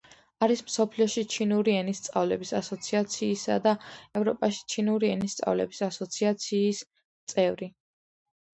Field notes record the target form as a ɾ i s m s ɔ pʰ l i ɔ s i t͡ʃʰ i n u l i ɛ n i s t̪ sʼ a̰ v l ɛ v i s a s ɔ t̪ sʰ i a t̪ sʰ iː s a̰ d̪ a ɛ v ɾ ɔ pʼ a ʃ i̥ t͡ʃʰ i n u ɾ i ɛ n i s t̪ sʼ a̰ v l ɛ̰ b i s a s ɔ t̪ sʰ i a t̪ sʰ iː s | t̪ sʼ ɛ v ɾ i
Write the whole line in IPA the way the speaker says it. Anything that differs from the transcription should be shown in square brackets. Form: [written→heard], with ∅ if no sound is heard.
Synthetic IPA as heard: a ɾ i s m s ɔ pʰ l i ɔ [s→ʃ] i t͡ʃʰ i n u [l→ɾ] i ɛ n i s t̪ sʼ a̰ v l ɛ [v→b] i s a s ɔ t̪ sʰ i a t̪ sʰ iː s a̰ d̪ a ɛ v ɾ ɔ pʼ a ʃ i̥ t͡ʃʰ i n u ɾ i ɛ n i s t̪ sʼ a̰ v l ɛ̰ b i s a s ɔ t̪ sʰ i a t̪ sʰ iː s | t̪ sʼ ɛ v ɾ i